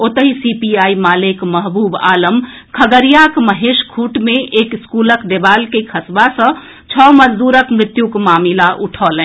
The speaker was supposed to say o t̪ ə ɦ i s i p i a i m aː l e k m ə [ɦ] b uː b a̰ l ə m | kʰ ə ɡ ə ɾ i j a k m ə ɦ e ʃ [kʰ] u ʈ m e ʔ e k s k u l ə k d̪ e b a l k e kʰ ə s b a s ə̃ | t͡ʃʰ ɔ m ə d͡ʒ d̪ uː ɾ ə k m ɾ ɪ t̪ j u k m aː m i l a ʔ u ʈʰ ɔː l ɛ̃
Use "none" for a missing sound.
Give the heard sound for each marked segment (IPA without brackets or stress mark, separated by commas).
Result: ɦ, kʰ